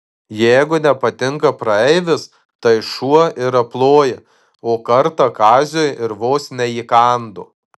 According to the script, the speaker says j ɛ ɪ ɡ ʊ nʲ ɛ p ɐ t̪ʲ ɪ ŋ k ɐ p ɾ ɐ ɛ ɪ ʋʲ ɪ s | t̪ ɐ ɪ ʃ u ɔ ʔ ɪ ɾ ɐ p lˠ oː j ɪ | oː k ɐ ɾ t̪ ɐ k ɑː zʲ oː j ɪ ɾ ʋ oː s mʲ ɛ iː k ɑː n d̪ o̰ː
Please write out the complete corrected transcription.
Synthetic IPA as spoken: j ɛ ɪ ɡ ʊ nʲ ɛ p ɐ t̪ʲ ɪ ŋ k ɐ p ɾ ɐ ɛ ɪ ʋʲ ɪ s | t̪ ɐ ɪ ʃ u ɔ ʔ ɪ ɾ ɐ p lˠ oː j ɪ | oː k ɐ ɾ t̪ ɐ k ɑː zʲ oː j ɪ ɾ ʋ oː s nʲ ɛ iː k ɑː n d̪ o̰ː